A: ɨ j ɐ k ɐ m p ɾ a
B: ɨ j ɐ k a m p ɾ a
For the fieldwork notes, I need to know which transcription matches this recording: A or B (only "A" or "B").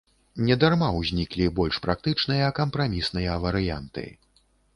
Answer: A